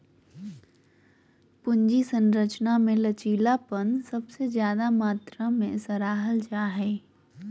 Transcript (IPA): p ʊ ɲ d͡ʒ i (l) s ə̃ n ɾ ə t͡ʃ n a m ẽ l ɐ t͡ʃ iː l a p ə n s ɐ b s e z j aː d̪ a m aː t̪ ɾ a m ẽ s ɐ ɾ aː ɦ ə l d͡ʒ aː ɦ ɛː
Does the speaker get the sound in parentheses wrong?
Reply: yes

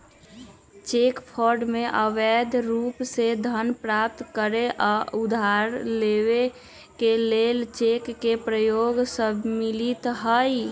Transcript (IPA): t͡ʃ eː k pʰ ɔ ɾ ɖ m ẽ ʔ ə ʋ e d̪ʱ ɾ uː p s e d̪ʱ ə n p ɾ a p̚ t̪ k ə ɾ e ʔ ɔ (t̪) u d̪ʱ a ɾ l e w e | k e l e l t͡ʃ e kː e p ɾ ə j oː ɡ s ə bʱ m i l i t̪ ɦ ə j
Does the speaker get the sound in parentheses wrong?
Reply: yes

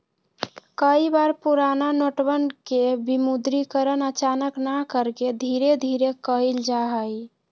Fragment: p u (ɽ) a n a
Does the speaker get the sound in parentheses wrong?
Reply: yes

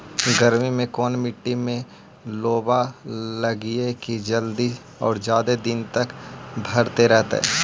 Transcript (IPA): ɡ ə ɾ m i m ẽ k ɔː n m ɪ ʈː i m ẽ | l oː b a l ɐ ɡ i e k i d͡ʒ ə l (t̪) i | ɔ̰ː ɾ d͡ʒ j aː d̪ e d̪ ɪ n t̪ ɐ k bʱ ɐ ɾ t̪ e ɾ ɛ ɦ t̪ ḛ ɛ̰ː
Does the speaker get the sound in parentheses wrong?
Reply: yes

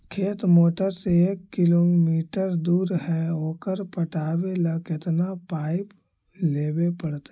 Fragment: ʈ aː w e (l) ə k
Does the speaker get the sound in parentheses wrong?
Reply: no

